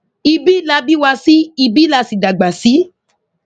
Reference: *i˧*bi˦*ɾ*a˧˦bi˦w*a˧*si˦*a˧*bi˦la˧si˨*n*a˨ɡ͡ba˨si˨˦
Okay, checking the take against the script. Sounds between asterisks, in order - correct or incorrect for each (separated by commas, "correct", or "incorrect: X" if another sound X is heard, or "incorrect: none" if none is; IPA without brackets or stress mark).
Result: correct, incorrect: l, correct, incorrect: i˧, incorrect: d